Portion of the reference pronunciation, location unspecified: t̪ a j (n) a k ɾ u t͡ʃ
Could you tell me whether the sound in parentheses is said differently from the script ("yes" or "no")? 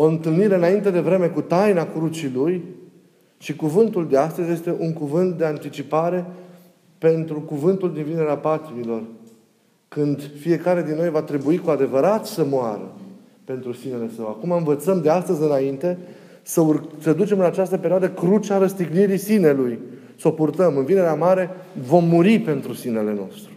no